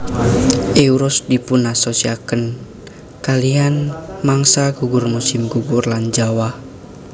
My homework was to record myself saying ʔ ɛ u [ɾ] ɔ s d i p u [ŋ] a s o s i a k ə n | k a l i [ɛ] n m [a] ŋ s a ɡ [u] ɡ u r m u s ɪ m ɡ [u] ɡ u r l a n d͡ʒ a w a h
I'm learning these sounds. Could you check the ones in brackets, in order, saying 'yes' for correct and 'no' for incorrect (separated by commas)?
yes, no, no, yes, yes, yes